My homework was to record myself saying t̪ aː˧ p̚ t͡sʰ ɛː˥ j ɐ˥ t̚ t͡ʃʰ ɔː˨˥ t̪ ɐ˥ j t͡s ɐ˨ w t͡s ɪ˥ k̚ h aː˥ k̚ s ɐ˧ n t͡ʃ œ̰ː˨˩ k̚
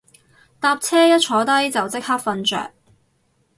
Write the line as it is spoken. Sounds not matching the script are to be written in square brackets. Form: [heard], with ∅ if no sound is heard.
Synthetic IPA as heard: t̪ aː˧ p̚ t͡sʰ ɛː˥ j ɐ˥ t̚ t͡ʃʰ ɔː˨˥ t̪ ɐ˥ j t͡s ɐ˨ w t͡s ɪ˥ k̚ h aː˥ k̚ [f] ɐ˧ n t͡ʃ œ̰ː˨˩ k̚